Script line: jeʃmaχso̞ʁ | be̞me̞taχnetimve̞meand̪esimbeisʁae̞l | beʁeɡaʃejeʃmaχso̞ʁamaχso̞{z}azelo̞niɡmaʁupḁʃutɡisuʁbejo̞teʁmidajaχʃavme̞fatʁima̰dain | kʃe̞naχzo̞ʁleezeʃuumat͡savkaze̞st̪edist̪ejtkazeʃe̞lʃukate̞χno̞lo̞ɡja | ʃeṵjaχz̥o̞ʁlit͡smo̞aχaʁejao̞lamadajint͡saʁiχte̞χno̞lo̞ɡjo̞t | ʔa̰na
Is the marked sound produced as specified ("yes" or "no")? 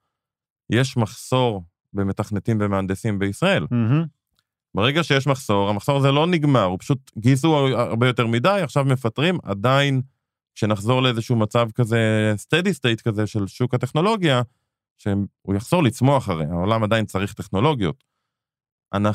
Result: no